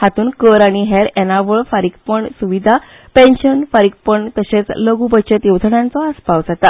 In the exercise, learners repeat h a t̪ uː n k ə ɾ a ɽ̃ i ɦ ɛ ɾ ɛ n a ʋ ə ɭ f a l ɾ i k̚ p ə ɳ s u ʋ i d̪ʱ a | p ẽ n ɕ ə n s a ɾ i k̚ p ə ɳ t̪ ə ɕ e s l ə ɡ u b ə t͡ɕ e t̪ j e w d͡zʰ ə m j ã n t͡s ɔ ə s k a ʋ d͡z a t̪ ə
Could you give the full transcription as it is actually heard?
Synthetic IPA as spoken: h a t̪ uː n k ə ɾ a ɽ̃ i ɦ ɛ ɾ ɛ n a ʋ ə ɭ f a ɾ i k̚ p ə ɳ s u ʋ i d̪ʱ a | p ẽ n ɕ ə n f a ɾ i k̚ p ə ɳ t̪ ə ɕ e t͡s l ə ɡ u b ə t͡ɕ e t̪ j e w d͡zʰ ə ɳ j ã n t͡s ɔ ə s p a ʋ d͡z a t̪ a